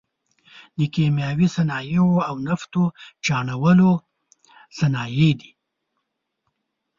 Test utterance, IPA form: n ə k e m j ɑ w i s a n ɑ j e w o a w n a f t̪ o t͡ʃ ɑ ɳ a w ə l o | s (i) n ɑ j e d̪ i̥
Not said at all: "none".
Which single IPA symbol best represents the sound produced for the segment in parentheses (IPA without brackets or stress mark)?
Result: a